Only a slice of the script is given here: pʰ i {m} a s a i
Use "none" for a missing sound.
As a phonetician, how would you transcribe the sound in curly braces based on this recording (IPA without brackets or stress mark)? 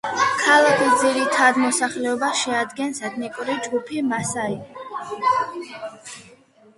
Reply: m